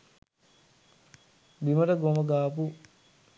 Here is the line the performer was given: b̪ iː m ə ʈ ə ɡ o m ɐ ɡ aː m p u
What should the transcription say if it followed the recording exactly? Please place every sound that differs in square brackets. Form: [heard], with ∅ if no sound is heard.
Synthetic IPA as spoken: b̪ [i] m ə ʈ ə ɡ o m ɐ ɡ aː [∅] p u